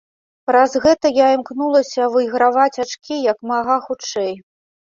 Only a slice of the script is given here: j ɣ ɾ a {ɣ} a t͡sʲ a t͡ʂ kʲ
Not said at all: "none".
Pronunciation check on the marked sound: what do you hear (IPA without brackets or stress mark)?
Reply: v